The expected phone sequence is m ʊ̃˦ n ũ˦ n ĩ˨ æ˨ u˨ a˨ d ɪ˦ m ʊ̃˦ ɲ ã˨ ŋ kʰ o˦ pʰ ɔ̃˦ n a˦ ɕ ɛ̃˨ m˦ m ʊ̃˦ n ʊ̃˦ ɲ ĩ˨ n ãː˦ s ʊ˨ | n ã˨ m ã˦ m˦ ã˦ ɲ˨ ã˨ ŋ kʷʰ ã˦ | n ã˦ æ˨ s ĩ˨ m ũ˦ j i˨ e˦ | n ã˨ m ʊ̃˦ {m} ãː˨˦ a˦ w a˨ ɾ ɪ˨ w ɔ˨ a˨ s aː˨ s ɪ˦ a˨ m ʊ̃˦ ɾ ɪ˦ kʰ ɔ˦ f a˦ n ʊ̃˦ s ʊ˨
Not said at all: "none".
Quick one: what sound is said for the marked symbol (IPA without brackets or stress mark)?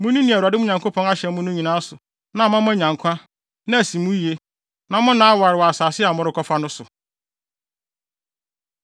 n